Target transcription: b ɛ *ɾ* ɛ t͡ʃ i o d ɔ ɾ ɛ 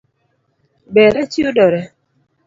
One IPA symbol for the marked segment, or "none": ɾ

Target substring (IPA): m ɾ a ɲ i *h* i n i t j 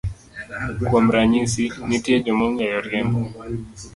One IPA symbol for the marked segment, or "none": s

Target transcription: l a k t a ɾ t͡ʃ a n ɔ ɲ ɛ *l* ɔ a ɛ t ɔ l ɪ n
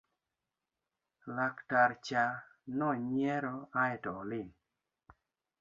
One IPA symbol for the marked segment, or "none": ɾ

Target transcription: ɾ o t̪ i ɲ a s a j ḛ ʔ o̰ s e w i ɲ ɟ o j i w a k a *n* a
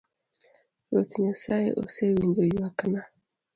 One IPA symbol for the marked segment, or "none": n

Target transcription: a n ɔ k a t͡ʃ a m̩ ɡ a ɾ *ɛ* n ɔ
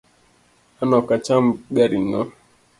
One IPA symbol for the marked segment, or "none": i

